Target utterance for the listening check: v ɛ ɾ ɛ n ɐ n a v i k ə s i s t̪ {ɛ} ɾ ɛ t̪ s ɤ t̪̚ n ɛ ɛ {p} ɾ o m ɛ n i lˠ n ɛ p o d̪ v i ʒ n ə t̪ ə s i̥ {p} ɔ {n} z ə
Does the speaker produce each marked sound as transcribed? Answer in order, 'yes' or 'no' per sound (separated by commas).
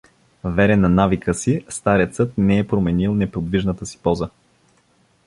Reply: no, yes, yes, no